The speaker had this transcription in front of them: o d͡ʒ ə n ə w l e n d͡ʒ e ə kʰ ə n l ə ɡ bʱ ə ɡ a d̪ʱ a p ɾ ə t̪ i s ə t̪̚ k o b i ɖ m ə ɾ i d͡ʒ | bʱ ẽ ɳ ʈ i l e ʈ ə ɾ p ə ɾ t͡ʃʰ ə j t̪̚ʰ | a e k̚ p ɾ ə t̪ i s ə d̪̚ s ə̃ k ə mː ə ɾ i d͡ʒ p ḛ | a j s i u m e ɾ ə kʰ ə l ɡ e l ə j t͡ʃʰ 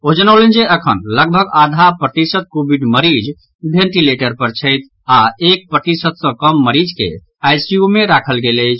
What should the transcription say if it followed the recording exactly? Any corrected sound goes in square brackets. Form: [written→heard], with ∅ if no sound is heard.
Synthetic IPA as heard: o d͡ʒ ə n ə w l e n d͡ʒ e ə kʰ ə n l ə ɡ bʱ ə ɡ a d̪ʱ a p ɾ ə t̪ i s ə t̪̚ k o b i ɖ m ə ɾ i d͡ʒ | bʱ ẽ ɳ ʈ i l e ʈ ə ɾ p ə ɾ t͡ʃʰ ə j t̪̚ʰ | a e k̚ p ɾ ə t̪ i s ə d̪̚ s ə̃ k ə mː ə ɾ i d͡ʒ [p→k] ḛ | a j s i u m e ɾ [ə→a] kʰ ə l ɡ e l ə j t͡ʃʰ